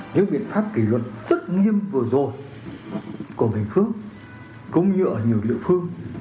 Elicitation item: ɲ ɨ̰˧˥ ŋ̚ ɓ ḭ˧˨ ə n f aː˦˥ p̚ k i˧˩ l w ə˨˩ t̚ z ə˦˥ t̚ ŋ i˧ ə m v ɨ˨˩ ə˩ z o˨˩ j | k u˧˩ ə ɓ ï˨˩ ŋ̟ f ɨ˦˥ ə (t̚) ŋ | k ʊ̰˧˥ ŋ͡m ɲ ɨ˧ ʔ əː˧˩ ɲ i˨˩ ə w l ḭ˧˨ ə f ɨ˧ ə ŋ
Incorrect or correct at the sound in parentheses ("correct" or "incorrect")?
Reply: incorrect